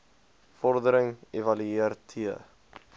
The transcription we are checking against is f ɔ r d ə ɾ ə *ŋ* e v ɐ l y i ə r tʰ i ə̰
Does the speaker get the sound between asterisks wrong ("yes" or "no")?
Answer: no